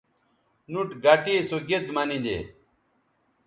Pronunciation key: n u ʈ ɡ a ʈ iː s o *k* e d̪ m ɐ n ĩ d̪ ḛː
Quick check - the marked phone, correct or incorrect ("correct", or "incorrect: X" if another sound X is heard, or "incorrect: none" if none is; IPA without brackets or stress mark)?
incorrect: ɡ